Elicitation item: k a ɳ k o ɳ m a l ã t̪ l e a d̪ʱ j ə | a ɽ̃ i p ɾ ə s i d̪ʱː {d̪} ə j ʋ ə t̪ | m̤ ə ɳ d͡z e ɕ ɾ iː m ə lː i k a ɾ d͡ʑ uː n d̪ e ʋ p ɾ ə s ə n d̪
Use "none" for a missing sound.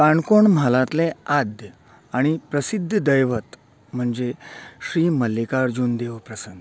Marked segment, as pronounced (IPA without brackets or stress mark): d̪